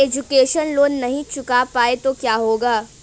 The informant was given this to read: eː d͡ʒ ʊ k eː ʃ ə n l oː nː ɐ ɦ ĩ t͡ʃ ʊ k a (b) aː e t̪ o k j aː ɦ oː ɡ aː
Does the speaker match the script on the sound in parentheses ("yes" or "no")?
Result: no